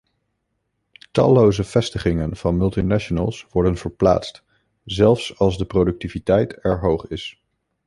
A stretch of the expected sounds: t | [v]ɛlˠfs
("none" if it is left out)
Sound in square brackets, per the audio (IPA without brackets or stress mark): z